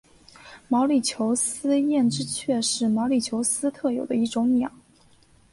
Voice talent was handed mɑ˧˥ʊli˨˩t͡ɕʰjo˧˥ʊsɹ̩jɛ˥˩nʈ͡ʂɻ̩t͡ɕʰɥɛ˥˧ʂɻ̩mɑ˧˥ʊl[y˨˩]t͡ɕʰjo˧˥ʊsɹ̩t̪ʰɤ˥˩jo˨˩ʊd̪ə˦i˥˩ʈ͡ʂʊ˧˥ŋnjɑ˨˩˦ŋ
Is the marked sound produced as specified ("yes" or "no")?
no